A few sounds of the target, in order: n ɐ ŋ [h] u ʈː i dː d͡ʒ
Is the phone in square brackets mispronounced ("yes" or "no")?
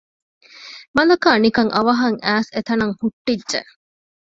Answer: no